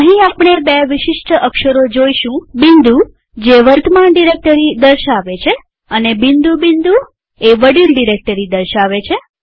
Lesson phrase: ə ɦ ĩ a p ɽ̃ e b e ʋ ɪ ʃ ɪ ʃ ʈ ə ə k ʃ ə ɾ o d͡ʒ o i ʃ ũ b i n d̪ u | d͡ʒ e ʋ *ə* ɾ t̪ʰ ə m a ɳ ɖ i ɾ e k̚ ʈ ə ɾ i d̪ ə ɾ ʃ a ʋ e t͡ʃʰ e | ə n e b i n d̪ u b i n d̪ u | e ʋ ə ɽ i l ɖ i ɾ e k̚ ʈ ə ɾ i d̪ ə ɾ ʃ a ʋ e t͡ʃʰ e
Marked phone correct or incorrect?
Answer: correct